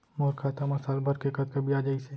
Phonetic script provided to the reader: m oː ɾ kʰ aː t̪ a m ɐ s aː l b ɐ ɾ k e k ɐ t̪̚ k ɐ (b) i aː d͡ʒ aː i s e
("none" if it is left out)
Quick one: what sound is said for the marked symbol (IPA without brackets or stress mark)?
b